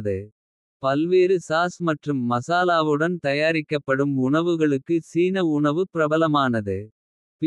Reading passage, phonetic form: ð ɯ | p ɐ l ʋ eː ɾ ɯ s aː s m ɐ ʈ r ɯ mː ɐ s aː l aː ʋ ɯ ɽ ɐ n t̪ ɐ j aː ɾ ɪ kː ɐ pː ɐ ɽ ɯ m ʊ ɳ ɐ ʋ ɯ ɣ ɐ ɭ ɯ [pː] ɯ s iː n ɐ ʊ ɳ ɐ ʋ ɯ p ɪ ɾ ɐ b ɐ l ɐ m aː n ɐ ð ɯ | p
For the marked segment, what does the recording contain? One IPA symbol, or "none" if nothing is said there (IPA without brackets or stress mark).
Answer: kː